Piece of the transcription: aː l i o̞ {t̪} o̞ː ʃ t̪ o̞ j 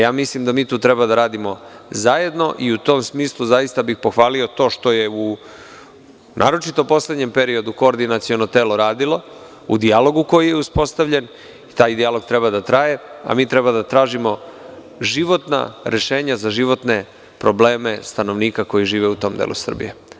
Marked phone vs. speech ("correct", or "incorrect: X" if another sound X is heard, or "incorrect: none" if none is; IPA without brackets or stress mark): correct